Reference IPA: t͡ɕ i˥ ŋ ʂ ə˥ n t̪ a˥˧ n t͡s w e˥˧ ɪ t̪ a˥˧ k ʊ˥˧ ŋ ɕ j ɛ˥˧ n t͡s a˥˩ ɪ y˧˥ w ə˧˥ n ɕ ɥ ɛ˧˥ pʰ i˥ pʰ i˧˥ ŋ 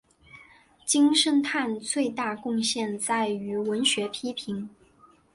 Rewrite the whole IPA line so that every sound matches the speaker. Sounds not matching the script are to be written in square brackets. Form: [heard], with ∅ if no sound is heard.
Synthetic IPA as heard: t͡ɕ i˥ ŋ ʂ ə˥ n [t̪ʰ] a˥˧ n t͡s w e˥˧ ɪ t̪ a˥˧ k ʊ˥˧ ŋ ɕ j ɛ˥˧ n t͡s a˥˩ ɪ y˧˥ w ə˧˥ n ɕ ɥ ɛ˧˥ pʰ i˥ pʰ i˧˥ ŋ